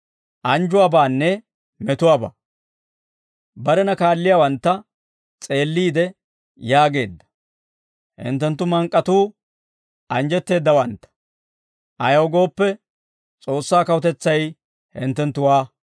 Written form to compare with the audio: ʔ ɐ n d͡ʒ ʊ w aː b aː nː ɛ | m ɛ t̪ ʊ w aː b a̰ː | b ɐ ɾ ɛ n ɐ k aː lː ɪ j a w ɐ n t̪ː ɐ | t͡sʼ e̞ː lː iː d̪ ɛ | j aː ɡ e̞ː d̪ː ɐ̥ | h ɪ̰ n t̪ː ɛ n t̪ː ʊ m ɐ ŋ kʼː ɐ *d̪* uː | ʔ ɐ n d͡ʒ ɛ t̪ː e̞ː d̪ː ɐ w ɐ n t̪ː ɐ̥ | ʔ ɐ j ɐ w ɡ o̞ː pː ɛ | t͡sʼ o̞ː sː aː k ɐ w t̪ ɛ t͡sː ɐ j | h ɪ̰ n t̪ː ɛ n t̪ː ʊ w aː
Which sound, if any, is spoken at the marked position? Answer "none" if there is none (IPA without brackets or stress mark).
t̪